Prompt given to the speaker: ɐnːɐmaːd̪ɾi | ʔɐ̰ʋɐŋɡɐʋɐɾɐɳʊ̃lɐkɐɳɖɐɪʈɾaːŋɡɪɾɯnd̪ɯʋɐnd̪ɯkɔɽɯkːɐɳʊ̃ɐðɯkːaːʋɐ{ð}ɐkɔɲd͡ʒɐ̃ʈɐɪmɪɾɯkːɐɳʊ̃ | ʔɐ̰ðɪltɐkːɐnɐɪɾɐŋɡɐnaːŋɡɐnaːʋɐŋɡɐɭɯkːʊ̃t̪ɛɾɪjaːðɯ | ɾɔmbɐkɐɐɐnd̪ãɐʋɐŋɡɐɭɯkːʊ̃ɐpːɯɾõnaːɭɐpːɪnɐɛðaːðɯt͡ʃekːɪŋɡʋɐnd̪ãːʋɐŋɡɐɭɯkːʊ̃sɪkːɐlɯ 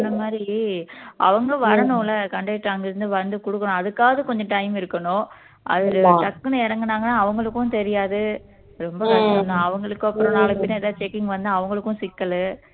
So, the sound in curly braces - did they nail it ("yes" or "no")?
yes